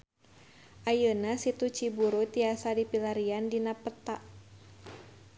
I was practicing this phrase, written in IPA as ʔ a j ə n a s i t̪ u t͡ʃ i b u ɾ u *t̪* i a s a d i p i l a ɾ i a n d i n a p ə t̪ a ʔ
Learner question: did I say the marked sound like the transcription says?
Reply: yes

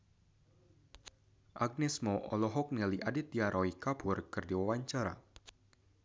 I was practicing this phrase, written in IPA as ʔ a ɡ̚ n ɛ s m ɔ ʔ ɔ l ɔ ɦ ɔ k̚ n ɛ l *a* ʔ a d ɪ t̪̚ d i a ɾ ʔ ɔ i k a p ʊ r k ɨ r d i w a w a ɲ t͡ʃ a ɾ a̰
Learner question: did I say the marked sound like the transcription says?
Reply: no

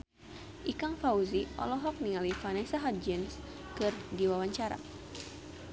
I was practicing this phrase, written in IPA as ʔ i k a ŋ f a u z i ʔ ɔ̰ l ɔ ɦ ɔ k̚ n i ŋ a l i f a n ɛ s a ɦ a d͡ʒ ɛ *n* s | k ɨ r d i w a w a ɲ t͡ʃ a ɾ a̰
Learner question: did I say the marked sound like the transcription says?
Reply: yes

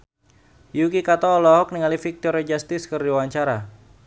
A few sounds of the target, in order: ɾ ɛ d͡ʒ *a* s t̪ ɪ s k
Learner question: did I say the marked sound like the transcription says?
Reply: yes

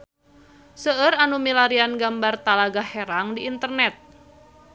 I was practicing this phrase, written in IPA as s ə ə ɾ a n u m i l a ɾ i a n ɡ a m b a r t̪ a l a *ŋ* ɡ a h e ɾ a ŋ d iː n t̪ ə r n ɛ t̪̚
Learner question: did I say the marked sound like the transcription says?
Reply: no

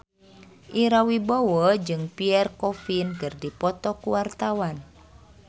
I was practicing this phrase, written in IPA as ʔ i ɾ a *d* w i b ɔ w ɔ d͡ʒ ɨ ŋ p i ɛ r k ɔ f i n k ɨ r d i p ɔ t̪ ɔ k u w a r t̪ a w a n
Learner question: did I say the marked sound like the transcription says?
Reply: no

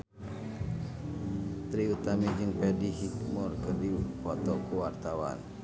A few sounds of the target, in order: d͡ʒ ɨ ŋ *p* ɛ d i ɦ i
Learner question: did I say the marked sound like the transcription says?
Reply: yes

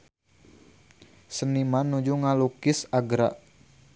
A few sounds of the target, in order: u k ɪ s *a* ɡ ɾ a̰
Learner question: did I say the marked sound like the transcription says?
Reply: yes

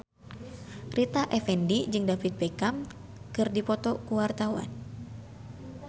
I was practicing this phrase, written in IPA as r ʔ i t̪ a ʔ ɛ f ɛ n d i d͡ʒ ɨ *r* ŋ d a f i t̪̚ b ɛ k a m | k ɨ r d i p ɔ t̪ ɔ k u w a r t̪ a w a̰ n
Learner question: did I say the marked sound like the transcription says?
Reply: no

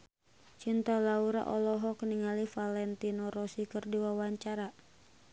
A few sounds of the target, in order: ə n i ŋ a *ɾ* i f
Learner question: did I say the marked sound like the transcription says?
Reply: no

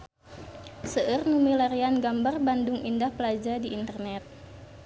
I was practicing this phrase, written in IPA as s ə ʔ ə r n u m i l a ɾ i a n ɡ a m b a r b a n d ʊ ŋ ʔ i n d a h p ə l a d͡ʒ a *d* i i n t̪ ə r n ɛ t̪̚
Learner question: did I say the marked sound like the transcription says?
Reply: yes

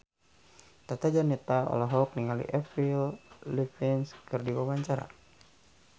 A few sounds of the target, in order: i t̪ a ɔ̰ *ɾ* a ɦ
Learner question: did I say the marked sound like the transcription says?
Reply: no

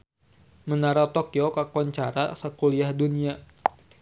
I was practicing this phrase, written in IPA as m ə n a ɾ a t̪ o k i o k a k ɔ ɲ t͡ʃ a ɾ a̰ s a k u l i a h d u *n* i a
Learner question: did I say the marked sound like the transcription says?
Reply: yes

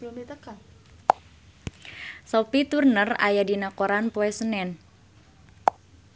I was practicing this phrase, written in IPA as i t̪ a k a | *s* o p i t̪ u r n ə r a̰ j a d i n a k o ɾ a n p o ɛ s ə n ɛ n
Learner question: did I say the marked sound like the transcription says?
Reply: yes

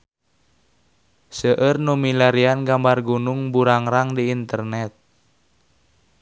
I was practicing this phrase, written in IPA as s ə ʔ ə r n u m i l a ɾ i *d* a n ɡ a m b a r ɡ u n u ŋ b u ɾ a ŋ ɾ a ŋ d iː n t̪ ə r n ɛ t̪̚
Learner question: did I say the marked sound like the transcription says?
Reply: no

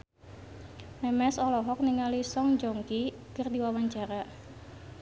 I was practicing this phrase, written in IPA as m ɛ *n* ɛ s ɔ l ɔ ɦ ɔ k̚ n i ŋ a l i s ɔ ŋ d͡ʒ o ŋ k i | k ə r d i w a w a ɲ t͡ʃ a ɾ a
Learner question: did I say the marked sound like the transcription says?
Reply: no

